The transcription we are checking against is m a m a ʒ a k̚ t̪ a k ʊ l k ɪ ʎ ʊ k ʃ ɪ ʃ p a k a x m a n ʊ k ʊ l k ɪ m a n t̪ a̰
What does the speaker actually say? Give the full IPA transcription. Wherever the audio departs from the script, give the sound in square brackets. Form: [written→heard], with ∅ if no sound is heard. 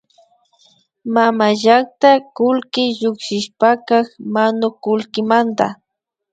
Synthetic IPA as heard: m a m a ʒ a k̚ t̪ a k ʊ l k ɪ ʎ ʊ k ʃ ɪ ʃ p a k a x m a n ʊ k ʊ l k ɪ m a n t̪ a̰